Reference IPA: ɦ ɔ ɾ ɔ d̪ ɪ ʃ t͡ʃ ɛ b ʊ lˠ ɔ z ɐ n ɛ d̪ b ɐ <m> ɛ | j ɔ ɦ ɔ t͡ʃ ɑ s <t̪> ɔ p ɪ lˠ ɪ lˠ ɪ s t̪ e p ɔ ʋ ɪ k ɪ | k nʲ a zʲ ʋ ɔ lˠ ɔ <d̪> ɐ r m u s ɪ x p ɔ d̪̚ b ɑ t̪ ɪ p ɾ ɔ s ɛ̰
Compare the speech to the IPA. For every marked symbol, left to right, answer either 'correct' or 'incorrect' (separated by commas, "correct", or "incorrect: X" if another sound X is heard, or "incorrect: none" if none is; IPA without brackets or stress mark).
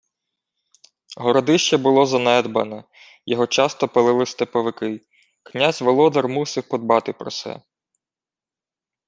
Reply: incorrect: n, correct, correct